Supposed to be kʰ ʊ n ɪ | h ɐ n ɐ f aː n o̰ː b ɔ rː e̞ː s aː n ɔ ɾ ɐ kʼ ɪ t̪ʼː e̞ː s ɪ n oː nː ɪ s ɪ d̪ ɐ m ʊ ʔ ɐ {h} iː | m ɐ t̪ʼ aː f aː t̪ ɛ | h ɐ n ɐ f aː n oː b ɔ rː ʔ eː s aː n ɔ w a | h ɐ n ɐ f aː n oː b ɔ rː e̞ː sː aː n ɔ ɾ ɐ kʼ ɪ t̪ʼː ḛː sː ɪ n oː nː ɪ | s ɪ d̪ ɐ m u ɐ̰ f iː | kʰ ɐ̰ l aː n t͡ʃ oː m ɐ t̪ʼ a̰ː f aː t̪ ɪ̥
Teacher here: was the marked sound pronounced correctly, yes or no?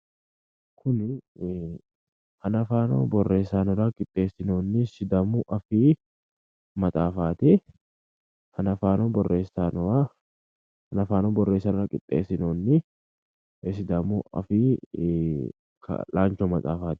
no